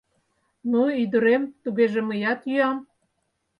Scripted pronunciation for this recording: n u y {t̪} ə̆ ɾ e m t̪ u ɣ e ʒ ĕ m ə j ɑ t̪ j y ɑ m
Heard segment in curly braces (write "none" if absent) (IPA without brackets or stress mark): d̪